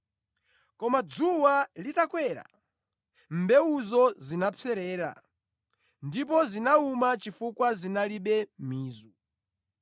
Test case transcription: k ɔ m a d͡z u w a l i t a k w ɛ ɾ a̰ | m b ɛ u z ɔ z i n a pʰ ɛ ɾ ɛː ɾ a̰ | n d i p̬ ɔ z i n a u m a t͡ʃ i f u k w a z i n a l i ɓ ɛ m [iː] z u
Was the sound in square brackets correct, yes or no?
yes